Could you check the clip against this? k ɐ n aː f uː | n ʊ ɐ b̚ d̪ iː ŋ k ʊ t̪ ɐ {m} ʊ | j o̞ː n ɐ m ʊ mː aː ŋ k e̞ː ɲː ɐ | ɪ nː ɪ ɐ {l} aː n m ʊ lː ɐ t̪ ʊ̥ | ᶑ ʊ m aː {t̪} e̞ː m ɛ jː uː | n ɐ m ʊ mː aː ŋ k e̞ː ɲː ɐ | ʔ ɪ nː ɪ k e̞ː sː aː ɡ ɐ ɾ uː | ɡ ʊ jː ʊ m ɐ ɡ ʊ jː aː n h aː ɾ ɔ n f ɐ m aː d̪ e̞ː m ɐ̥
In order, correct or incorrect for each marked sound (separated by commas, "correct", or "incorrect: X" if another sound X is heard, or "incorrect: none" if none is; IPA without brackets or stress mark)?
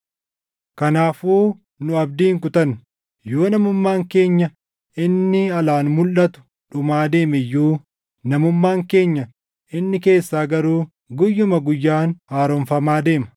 incorrect: n, correct, incorrect: d̪